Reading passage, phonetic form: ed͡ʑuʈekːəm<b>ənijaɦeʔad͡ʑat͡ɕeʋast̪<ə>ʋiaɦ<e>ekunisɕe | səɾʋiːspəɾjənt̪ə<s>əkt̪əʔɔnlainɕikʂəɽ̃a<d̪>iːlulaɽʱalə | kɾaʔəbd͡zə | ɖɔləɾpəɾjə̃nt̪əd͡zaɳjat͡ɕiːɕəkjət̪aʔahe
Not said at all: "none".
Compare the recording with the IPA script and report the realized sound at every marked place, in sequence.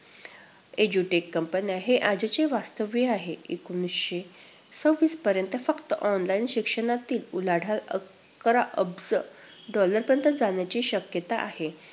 p, ə, e, f, t̪

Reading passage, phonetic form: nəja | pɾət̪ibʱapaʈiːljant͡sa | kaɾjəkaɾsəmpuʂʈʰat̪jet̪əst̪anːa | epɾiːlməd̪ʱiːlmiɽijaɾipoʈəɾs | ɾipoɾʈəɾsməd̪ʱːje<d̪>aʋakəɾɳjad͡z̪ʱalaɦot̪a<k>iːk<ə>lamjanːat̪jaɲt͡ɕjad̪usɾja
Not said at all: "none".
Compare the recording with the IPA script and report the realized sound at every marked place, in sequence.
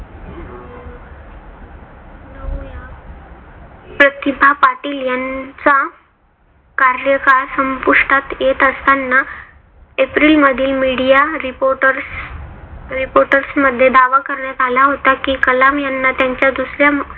d̪, k, ə

